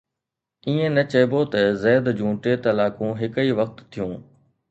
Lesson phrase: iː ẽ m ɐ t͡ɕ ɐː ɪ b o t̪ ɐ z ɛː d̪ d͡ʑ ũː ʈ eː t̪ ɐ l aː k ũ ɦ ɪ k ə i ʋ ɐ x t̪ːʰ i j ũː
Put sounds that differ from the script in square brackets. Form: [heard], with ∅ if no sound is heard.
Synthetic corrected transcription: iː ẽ [n] ɐ t͡ɕ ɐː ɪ b o t̪ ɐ z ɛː d̪ d͡ʑ ũː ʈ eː t̪ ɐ l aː k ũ ɦ ɪ k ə i ʋ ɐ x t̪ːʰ i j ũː